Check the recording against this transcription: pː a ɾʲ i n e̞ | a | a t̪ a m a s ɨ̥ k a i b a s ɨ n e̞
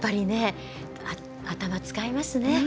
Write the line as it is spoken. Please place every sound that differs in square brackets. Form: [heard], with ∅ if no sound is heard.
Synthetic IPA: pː a ɾʲ i n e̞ | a | a t̪ a m a [t͡s] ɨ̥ k a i [m] a s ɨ n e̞